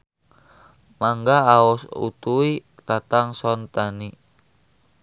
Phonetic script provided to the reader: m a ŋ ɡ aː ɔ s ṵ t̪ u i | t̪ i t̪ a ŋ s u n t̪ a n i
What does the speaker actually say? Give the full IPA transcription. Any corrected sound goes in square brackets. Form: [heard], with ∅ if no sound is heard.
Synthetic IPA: m a ŋ ɡ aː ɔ s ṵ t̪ u i | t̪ [a] t̪ a ŋ s [ɔ] n t̪ a n i